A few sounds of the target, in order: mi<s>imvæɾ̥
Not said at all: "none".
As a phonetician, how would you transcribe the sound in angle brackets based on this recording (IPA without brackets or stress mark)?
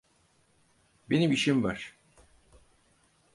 ʃ